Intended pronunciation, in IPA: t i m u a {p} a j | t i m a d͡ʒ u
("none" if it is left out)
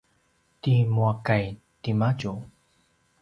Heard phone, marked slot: k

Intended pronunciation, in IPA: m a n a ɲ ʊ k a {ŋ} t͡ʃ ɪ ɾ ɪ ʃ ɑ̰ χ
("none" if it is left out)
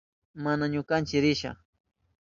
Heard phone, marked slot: n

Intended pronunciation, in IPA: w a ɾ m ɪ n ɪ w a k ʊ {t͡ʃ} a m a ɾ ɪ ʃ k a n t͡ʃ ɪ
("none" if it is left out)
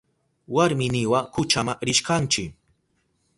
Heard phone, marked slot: t͡ʃ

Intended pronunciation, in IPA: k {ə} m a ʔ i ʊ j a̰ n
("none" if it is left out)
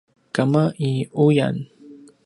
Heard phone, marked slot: a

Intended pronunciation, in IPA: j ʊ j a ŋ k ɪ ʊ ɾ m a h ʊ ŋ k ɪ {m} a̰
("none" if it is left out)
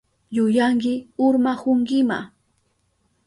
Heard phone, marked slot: m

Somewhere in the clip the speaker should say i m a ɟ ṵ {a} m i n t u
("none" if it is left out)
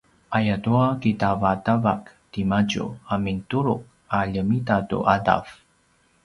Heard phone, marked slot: a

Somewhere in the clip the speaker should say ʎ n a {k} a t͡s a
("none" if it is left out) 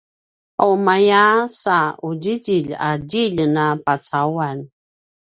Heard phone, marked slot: p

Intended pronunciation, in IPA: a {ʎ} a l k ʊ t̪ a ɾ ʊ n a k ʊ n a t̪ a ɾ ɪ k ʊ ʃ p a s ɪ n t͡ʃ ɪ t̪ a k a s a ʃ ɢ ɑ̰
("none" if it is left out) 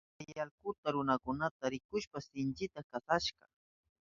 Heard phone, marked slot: j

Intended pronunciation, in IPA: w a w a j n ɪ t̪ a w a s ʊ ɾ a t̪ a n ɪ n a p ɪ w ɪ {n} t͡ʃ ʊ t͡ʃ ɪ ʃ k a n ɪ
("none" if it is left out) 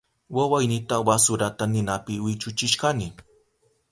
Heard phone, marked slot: none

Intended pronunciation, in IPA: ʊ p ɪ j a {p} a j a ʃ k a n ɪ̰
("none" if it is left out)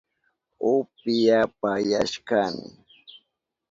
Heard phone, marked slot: p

